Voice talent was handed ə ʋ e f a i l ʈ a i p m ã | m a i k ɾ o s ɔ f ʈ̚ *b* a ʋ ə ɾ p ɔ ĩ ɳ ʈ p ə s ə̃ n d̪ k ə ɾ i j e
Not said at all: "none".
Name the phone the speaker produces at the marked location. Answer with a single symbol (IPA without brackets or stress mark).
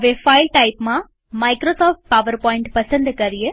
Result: p